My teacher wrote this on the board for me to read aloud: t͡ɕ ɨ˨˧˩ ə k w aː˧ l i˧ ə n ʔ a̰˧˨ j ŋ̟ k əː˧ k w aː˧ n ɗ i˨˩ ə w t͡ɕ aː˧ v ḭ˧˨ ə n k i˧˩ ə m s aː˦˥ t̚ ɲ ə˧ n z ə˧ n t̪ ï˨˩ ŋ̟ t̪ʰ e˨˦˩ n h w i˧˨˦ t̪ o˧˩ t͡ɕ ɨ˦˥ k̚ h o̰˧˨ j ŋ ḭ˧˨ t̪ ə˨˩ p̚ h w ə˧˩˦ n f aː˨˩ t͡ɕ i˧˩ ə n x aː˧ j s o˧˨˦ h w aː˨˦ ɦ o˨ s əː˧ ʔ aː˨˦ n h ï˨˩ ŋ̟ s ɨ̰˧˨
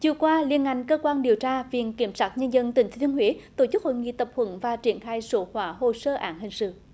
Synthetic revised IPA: t͡ɕ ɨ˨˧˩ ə k w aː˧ l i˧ ə n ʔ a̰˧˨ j ŋ̟ k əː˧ k w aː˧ n ɗ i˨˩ ə w t͡ɕ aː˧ v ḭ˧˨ ə n k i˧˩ ə m s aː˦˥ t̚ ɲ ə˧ n z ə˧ n t̪ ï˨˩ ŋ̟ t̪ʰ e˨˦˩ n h w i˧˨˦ t̪ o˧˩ t͡ɕ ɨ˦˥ k̚ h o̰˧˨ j ŋ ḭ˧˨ t̪ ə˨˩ p̚ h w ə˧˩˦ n v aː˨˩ t͡ɕ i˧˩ ə n x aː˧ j s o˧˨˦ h w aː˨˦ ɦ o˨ s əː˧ ʔ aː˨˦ n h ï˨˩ ŋ̟ s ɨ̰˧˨